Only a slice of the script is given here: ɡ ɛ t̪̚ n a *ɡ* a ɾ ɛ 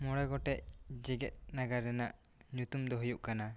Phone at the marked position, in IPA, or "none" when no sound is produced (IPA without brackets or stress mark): ɡ